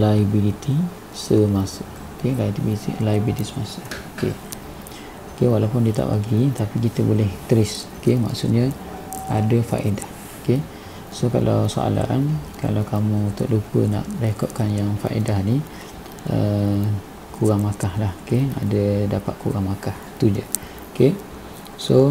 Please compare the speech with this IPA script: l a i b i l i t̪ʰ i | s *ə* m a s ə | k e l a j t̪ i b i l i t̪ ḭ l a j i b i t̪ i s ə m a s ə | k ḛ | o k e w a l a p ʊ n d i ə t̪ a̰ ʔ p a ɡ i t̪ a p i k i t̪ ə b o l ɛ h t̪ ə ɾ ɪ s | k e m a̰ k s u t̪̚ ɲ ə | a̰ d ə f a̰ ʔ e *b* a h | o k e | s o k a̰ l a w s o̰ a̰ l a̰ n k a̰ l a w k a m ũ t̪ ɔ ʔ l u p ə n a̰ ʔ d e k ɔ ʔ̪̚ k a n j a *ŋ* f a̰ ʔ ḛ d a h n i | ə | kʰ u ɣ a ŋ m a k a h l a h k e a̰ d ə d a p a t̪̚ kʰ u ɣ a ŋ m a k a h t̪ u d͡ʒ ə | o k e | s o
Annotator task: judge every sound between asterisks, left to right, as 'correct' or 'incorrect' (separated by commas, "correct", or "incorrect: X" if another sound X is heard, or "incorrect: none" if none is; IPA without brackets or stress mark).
correct, incorrect: d, correct